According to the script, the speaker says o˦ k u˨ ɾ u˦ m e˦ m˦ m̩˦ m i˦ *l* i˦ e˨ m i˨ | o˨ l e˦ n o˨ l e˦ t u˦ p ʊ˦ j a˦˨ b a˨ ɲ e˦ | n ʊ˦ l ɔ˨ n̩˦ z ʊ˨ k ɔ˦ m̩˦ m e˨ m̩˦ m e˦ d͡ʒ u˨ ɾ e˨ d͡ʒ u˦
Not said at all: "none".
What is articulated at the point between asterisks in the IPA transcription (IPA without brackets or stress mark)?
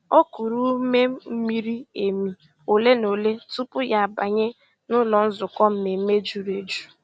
ɾ